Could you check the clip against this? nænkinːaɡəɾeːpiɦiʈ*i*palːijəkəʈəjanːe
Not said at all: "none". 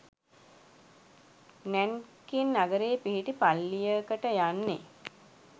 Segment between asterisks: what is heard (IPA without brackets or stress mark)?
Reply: i